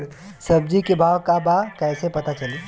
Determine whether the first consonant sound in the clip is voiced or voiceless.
voiceless